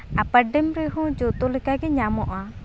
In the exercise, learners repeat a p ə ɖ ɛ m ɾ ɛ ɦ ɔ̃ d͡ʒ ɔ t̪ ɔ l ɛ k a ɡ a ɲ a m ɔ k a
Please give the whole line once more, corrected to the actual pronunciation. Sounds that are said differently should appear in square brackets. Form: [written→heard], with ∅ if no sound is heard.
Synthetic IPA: a p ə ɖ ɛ m ɾ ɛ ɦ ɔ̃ d͡ʒ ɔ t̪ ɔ l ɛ k a ɡ [a→ɛ] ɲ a m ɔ [k→ʔ] a